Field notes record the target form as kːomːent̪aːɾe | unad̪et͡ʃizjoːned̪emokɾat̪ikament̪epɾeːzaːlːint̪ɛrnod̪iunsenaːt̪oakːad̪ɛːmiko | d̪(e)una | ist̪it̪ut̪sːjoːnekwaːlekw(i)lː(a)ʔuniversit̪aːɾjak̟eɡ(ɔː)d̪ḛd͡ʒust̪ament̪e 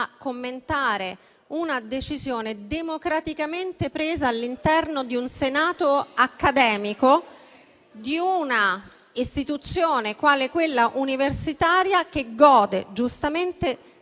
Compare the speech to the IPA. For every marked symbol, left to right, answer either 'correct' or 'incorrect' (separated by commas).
incorrect, incorrect, correct, correct